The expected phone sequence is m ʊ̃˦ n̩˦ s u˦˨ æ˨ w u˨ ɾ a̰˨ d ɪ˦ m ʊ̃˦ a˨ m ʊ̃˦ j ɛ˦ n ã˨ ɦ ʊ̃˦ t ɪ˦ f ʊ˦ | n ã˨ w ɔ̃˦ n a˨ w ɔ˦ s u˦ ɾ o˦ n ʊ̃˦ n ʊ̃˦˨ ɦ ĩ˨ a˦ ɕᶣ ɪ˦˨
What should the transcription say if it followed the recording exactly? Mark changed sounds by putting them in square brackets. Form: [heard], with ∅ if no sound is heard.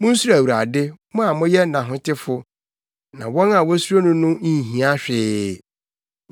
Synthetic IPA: m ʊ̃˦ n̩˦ s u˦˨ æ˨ w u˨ ɾ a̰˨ d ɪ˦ m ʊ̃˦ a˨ m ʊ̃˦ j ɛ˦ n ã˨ ɦ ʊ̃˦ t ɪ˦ f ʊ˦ | n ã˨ w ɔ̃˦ n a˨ w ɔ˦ s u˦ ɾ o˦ n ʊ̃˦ n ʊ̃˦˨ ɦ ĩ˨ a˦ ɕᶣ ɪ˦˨